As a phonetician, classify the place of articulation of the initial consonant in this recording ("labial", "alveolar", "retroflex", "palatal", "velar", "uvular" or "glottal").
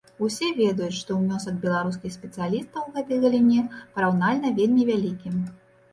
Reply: alveolar